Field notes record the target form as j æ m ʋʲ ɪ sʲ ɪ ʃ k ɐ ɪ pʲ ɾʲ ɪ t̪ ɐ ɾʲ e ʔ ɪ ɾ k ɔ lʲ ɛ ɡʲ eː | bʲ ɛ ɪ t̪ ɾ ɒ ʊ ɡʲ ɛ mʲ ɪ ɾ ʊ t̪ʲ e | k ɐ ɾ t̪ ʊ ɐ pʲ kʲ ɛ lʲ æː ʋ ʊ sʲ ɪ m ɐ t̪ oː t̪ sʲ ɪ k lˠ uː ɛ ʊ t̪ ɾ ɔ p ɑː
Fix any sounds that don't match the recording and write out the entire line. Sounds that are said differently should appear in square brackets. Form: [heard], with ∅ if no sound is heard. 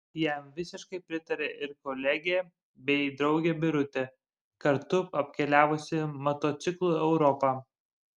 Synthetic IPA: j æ m ʋʲ ɪ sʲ ɪ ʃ k ɐ ɪ pʲ ɾʲ ɪ t̪ ɐ ɾʲ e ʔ ɪ ɾ k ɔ lʲ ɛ ɡʲ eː | bʲ ɛ ɪ [d̪] ɾ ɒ ʊ ɡʲ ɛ [bʲ] ɪ ɾ ʊ t̪ʲ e | k ɐ ɾ t̪ ʊ ɐ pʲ kʲ ɛ lʲ æː ʋ ʊ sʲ ɪ m ɐ t̪ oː t̪ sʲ ɪ k lˠ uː ɛ ʊ [∅] ɾ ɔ p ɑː